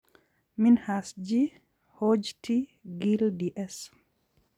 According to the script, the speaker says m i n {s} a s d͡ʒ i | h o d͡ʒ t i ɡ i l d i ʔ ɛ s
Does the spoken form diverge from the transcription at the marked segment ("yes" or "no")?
yes